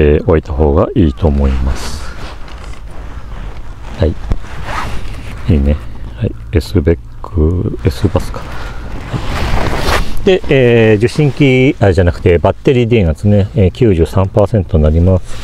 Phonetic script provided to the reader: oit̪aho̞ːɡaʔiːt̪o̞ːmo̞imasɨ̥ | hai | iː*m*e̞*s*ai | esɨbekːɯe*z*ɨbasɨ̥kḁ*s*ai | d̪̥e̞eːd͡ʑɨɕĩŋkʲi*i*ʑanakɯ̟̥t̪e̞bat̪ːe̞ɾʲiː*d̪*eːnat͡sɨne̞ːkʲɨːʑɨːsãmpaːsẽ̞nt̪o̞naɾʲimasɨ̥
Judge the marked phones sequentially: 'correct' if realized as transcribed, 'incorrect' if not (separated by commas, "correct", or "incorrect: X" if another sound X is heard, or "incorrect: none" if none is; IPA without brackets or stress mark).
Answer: incorrect: n, incorrect: h, incorrect: s, incorrect: h, incorrect: a, correct